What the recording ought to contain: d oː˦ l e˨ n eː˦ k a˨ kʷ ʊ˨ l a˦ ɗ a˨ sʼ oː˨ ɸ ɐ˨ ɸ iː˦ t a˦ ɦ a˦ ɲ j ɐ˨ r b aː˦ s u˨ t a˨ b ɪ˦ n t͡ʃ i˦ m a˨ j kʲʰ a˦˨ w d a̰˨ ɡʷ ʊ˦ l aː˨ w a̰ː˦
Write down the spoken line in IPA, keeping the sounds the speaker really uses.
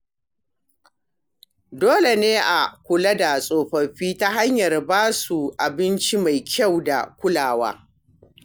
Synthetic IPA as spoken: d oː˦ l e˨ n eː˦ ʔ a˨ kʷ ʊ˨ l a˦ d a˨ sʼ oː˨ ɸ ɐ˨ ɸ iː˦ t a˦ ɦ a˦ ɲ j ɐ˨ r b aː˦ s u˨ ʔ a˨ b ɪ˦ n t͡ʃ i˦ m a˨ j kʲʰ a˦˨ w d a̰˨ kʷ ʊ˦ l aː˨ w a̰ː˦